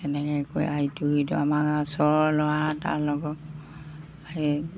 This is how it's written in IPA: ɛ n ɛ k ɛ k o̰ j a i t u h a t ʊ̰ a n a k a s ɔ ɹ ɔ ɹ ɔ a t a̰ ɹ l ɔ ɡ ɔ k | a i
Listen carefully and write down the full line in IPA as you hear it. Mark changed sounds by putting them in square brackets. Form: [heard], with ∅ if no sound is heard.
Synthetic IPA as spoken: ɛ n ɛ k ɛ k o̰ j a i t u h [i] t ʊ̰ a [m] a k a s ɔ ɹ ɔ [l] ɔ a t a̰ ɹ l ɔ ɡ ɔ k | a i

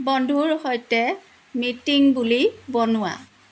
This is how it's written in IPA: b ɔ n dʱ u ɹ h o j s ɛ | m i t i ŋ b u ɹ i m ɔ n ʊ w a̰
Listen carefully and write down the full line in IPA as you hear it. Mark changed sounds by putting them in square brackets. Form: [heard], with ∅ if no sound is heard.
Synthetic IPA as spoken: b ɔ n dʱ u ɹ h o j [t] ɛ | m i t i ŋ b u [l] i [b] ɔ n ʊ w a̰

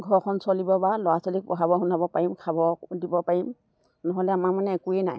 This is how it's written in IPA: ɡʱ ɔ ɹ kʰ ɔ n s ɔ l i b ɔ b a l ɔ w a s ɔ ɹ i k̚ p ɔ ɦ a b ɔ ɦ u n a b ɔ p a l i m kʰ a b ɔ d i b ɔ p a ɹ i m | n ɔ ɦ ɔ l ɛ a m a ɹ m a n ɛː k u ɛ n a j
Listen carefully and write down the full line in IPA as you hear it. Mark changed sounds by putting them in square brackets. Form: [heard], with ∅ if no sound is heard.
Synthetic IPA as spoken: ɡʱ ɔ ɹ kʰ ɔ n s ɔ l i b ɔ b a l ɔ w a s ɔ [l] i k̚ p ɔ ɦ a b ɔ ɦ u n a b ɔ p a [ɹ] i m kʰ a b ɔ d i b ɔ p a ɹ i m | n ɔ ɦ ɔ l ɛ a m a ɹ m a n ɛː k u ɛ n a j

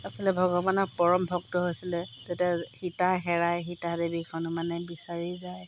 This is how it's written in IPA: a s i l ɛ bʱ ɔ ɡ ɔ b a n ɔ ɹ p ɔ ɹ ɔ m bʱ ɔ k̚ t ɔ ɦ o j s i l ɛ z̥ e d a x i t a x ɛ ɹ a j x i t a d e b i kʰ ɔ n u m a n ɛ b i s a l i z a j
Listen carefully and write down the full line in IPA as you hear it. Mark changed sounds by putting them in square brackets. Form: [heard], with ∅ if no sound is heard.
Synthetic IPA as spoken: a s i l ɛ bʱ ɔ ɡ ɔ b a n ɔ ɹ p ɔ ɹ ɔ m bʱ ɔ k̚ t ɔ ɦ o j s i l ɛ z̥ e [t] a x i t a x ɛ ɹ a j x i t a d e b i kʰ ɔ n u m a n ɛ b i s a [ɹ] i z a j

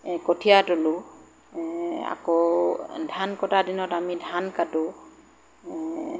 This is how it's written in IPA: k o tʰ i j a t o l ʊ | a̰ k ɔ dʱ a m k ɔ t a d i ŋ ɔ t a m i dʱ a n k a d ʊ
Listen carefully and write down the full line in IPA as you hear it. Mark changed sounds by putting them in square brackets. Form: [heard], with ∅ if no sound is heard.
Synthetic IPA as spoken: k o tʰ i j a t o l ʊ | a̰ k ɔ dʱ a [n] k ɔ t a d i [n] ɔ t a m i dʱ a n k a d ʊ

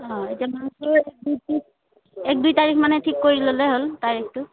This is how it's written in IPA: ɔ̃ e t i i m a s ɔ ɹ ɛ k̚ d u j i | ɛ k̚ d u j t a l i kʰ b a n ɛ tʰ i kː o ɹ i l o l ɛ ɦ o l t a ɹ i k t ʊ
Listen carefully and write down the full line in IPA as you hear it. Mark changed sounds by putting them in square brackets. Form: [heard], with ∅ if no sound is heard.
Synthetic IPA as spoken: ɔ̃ e t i [a] m a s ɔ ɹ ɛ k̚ d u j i | ɛ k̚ d u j t a [ɹ] i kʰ [m] a n ɛ tʰ i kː o ɹ i l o l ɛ ɦ o l t a ɹ i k t ʊ

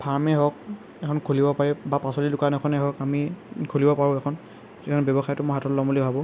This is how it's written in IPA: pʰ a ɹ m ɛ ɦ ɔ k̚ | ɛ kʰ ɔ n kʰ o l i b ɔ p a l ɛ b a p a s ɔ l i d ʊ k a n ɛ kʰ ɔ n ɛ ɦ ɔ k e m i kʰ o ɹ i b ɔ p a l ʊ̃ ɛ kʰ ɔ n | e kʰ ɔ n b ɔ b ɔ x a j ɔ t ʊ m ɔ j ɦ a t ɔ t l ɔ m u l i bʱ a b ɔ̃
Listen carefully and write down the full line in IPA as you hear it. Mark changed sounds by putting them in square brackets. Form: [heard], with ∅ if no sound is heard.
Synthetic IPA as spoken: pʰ a ɹ m ɛ ɦ ɔ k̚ | ɛ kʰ ɔ n kʰ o l i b ɔ p a [ɹ] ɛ b a p a s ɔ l i d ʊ k a n ɛ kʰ ɔ n ɛ ɦ ɔ k [a] m i kʰ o [l] i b ɔ p a [ɹ] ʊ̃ ɛ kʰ ɔ n | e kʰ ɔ n b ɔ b ɔ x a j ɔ t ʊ m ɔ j ɦ a t ɔ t l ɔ m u l i bʱ a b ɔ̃

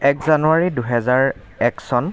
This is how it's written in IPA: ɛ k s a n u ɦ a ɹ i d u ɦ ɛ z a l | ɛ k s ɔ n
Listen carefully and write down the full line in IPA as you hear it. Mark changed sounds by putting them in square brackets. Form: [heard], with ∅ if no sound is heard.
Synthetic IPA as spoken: ɛ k [z] a n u [∅] a ɹ i d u ɦ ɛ z a [ɹ] | ɛ k s ɔ n

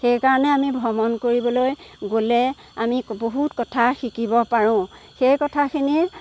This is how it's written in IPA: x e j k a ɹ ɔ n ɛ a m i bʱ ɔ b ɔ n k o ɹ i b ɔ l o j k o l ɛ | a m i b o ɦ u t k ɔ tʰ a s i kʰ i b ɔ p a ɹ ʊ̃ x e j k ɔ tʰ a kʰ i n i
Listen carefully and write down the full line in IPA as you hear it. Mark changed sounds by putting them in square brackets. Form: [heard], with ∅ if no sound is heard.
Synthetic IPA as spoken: x e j k a ɹ ɔ n ɛ a m i bʱ ɔ [m] ɔ n k o ɹ i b ɔ l o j [ɡ] o l ɛ | a m i b o ɦ u t k ɔ tʰ a [x] i [k] i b ɔ p a ɹ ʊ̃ x e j k ɔ tʰ a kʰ i n i

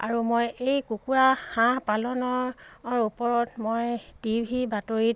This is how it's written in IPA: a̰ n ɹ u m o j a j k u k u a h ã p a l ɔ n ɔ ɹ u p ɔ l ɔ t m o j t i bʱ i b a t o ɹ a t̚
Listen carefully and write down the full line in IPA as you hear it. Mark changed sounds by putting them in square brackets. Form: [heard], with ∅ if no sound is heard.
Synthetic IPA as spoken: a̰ [∅] ɹ u m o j [e] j k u k u a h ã p a l ɔ n ɔ ɹ u p ɔ [ɹ] ɔ t m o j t i bʱ i b a t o ɹ [i] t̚

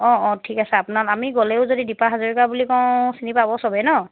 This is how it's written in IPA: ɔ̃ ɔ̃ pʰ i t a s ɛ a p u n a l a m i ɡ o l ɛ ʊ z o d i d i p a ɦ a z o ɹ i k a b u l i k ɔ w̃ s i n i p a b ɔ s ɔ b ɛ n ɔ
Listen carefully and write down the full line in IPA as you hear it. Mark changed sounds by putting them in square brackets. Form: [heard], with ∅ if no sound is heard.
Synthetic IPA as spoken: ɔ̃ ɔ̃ [tʰ] i [k] a s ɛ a p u n a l a m i ɡ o l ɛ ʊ z o d i d i p a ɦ a z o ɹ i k a b u l i k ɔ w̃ s i n i p a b ɔ s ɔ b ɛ n ɔ

